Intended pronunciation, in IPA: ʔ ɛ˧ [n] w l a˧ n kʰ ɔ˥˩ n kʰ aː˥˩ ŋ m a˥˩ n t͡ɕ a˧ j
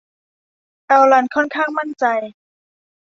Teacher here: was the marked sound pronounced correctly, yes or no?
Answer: no